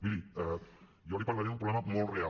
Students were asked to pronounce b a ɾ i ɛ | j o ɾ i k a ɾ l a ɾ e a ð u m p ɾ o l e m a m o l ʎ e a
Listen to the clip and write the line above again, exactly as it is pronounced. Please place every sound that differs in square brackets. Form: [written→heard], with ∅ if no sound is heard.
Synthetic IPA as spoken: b [a→i] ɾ i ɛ | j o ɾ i [k→p] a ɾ l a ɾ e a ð u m p ɾ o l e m a m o l [ʎ→r] e a